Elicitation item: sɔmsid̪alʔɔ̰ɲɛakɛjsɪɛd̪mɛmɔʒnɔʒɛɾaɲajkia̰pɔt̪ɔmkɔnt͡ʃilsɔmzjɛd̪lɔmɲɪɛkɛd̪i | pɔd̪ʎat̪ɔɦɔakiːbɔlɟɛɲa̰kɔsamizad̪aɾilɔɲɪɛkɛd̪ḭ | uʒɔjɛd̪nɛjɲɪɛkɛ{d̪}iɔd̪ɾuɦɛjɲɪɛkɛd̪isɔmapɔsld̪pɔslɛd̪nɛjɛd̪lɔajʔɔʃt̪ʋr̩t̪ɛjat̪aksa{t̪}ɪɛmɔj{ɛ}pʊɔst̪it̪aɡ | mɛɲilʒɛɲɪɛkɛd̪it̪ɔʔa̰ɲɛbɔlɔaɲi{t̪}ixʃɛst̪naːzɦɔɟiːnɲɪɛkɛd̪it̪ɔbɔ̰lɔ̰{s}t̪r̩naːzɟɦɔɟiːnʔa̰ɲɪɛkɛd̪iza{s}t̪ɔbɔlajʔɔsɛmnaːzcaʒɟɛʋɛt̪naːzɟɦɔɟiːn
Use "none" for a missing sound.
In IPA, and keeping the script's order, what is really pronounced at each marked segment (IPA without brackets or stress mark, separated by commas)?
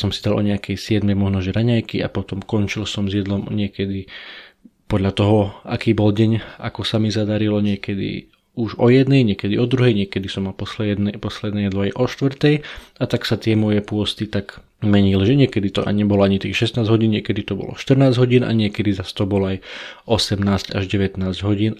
d̪, t̪, ɛ, t̪, ʃ, s